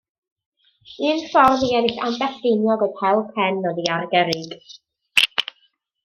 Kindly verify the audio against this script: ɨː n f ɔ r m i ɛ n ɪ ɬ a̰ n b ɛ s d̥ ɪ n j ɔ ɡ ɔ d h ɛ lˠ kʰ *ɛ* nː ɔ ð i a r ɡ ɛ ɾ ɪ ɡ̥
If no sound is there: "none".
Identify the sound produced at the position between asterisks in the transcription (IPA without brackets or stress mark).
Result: ɛ